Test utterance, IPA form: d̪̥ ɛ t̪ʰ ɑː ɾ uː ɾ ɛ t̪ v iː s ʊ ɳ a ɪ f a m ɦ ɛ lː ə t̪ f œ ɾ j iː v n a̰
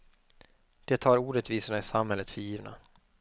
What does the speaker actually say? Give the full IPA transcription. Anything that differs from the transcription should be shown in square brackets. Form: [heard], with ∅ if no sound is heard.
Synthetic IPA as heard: d̪̥ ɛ t̪ʰ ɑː ɾ uː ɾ ɛ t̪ v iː s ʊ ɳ a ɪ [s] a m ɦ ɛ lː ə t̪ f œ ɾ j iː v n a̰

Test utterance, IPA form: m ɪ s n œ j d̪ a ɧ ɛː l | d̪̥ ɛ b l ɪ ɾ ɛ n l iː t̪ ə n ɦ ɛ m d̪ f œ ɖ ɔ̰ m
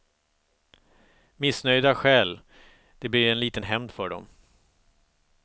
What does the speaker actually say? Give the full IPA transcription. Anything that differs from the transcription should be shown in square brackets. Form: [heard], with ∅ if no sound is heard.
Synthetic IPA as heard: m ɪ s n œ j d̪ a ɧ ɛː l | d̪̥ ɛ b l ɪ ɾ ɛ n l iː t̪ ə n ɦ ɛ m d̪ f œ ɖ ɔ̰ m

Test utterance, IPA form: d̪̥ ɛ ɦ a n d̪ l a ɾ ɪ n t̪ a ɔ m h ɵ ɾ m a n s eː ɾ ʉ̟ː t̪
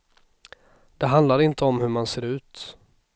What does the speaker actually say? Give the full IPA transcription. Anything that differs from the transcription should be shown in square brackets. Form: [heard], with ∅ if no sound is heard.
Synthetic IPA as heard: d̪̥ ɛ ɦ a n d̪ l a ɾ ɪ n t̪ [ə] ɔ m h ɵ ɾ m a n s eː ɾ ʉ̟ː t̪

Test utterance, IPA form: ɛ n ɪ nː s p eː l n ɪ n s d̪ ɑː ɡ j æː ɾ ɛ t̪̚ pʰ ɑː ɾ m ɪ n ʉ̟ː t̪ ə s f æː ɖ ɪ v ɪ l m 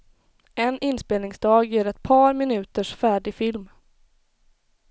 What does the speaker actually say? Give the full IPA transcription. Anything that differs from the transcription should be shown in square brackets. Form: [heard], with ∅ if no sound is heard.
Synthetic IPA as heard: ɛ n ɪ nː s p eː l n ɪ [ŋ] s d̪ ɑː ɡ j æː ɾ ɛ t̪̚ pʰ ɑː ɾ m ɪ n ʉ̟ː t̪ ə [ʂ] f æː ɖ ɪ [f] ɪ l m

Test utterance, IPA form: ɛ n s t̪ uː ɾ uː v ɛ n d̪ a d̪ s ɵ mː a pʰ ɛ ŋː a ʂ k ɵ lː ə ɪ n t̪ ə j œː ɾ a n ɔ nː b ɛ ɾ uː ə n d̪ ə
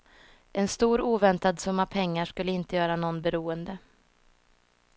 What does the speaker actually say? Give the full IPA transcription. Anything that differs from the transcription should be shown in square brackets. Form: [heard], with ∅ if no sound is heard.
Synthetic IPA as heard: ɛ n s t̪ uː ɾ uː v ɛ n [t̪] a d̪ s ɵ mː a pʰ ɛ ŋː a ʂ k ɵ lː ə ɪ n t̪ ə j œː ɾ a n ɔ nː b ɛ ɾ uː ə n d̪ ə

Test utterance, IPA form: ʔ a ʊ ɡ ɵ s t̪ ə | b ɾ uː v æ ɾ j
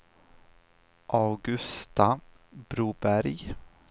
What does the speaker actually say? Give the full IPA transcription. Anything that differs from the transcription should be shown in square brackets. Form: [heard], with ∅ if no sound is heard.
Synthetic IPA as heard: ʔ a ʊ ɡ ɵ s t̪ [a] | b ɾ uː [b] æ ɾ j

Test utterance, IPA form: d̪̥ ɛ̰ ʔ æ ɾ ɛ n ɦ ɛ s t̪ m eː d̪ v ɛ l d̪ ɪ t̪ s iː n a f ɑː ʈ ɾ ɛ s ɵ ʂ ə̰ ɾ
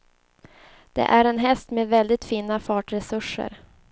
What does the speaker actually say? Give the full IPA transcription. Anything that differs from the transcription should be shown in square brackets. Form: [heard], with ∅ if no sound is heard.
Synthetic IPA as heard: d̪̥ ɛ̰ ʔ æ ɾ ɛ n ɦ ɛ s t̪ m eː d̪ v ɛ l d̪ ɪ t̪ [f] iː n a f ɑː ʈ ɾ ɛ s ɵ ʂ ə̰ ɾ

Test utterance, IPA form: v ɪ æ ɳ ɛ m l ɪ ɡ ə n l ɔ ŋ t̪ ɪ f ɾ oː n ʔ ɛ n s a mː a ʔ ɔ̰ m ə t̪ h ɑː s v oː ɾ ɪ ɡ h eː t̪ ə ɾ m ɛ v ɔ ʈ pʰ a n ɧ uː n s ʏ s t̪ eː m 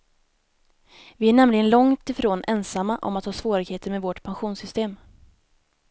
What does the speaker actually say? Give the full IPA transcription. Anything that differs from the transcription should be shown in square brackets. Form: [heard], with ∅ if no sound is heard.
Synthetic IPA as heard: v ɪ æ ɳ ɛ m l ɪ ɡ ə n l ɔ ŋ t̪ ɪ f ɾ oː n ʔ ɛ n s a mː a ʔ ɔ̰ m [a] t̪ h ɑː s v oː ɾ ɪ ɡ h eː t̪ ə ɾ m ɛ v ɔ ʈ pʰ a n ɧ uː n s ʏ s t̪ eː m

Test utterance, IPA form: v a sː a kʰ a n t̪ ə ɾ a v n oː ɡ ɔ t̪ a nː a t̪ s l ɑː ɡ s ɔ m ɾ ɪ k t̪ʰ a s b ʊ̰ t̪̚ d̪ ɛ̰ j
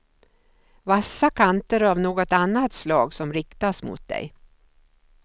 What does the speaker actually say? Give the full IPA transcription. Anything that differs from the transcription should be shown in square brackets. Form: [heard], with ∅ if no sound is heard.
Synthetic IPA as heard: v a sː a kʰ a n t̪ ə ɾ a v n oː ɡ ɔ t̪ a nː a t̪ s l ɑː ɡ s ɔ m ɾ ɪ k [t̪] a s [m] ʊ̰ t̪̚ d̪ ɛ̰ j

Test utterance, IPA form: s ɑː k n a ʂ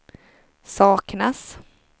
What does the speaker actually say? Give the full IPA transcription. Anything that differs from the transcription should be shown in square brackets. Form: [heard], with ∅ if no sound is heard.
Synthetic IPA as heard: s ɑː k n a [s]

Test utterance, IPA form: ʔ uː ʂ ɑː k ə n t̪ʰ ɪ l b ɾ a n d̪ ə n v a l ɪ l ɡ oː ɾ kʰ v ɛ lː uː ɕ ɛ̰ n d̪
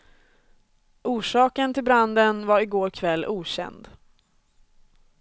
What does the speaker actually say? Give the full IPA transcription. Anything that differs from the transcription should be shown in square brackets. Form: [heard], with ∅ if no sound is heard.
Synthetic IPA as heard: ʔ uː ʂ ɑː k ə n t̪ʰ ɪ l b ɾ a n d̪ ə n v a [ɾ] ɪ [∅] ɡ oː ɾ kʰ v ɛ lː uː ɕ ɛ̰ n d̪

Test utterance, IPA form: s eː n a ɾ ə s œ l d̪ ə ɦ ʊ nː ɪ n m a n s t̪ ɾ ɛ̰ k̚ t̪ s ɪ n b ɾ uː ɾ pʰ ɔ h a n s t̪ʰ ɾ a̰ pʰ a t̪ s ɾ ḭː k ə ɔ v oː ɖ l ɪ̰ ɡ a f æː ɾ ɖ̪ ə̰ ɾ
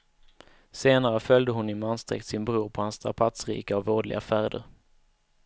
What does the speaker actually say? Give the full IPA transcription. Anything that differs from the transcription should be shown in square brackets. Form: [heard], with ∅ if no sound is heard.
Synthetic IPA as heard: s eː n a ɾ ə [f] œ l d̪ ə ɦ ʊ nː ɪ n m a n s t̪ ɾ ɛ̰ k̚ t̪ s ɪ n b ɾ uː ɾ pʰ ɔ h a n s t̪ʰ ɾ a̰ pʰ a t̪ s ɾ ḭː k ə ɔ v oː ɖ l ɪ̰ ɡ a f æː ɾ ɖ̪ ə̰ ɾ

